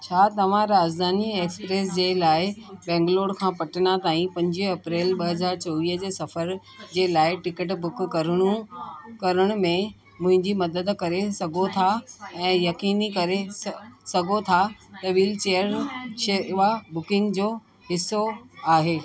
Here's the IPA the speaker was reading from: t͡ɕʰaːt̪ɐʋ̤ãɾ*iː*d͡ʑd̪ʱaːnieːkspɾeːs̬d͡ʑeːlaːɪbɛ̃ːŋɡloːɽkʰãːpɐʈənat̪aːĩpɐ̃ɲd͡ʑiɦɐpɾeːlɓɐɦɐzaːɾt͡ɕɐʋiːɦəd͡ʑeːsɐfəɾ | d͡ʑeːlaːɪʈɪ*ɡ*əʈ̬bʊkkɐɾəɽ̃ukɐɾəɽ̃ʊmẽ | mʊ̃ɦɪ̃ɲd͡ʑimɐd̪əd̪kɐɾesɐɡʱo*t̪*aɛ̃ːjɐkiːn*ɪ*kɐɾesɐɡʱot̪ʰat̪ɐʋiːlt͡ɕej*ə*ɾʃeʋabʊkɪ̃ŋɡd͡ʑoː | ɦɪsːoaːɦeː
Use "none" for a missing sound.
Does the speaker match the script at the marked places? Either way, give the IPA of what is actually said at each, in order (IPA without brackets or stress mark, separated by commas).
aː, k, t̪ʰ, i, ə